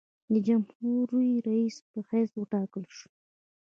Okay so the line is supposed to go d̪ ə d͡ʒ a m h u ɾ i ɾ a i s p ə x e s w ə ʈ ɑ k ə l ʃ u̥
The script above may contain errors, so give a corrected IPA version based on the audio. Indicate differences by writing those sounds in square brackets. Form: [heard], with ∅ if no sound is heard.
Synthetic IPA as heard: d̪ ə d͡ʒ a m h u ɾ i ɾ a i s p ə x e s w ə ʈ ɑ k ə l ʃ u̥